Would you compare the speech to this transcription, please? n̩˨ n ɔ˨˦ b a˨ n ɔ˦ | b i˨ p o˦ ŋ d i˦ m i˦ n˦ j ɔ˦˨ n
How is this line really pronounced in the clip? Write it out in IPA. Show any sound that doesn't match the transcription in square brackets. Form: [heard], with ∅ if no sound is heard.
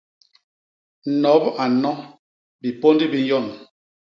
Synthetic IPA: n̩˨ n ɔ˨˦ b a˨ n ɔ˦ | b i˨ p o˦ [n] d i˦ [b] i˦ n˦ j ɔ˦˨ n